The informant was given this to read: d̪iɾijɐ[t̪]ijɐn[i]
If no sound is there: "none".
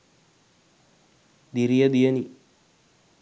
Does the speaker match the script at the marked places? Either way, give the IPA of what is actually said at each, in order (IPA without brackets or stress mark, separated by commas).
d̪, i